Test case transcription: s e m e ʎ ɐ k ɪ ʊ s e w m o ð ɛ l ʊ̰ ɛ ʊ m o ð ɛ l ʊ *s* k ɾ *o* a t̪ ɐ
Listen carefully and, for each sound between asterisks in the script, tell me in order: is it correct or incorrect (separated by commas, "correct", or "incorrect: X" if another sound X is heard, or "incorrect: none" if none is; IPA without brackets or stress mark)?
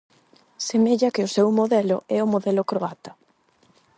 incorrect: none, correct